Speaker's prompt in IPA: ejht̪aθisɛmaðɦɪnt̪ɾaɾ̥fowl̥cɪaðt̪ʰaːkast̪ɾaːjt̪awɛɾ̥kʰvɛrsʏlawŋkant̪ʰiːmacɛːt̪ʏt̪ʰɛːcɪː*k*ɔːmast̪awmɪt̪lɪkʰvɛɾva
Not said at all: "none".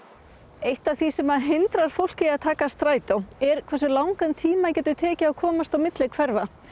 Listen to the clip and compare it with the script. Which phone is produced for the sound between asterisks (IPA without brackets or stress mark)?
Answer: kʰ